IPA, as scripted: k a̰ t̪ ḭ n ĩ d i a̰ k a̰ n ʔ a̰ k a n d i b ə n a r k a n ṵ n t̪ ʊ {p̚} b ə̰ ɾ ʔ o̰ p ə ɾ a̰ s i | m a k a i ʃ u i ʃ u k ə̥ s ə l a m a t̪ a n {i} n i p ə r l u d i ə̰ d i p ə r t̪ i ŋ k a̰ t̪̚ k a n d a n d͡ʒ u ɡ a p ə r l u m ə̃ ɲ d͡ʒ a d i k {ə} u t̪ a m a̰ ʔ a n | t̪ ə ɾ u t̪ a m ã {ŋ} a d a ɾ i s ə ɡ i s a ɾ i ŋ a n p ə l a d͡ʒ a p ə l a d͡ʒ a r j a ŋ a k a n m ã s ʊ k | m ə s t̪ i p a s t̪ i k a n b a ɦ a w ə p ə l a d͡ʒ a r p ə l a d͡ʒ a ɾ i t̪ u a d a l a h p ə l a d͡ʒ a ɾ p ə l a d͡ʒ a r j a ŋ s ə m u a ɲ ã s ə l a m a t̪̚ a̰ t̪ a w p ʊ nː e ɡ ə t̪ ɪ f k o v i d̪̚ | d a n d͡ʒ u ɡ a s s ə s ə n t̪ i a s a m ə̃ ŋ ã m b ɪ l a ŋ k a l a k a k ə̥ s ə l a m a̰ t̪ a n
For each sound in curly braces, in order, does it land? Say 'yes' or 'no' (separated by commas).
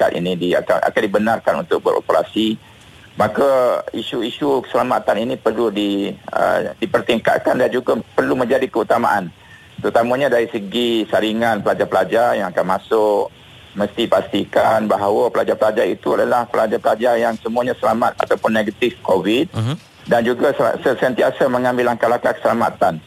no, yes, yes, no